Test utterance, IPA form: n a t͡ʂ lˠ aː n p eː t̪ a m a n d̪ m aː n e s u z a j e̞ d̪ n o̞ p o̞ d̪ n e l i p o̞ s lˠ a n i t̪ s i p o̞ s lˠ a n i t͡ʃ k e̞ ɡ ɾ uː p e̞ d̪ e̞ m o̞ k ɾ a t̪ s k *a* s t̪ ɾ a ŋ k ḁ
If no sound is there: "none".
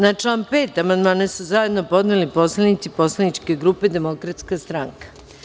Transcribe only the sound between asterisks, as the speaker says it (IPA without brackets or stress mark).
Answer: a